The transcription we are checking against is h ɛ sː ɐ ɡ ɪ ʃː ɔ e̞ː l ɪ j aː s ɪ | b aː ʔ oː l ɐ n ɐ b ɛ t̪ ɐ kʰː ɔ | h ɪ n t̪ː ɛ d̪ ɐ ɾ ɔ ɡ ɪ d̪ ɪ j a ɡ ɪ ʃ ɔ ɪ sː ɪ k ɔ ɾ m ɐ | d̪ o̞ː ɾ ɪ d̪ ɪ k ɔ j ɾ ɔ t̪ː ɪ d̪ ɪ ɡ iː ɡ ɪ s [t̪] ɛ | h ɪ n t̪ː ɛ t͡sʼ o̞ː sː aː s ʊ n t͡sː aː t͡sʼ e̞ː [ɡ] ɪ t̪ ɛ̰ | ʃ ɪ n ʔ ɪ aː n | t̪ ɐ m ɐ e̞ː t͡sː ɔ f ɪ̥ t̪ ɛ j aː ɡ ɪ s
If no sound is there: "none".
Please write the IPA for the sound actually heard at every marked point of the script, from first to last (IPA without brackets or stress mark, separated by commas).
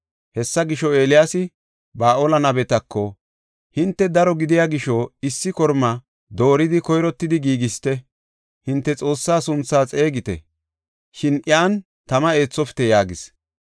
t̪, ɡ